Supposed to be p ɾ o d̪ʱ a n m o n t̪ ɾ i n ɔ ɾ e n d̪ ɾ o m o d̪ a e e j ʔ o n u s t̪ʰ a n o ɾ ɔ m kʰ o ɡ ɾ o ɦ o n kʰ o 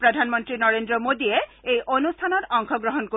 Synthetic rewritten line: p ɾ o d̪ʱ a n m o n t̪ ɾ i n ɔ ɾ e n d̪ ɾ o m o d̪ i e e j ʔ o n u s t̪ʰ a n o ɾ ɔ ŋ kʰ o ɡ ɾ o ɦ o n k o